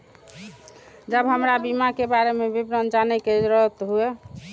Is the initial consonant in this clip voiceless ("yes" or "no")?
no